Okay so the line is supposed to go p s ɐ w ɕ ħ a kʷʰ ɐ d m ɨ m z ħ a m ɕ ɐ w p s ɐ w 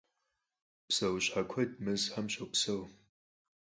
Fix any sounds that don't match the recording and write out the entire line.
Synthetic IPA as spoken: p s ɐ w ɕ ħ a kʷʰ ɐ d m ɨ z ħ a m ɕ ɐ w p s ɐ w